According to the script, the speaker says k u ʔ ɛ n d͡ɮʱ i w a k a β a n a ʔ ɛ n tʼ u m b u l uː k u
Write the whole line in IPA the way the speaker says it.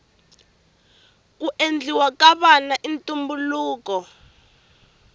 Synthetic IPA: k u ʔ e n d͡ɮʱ i w a k a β a n a ʔ i n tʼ u m b u l uː k ɔ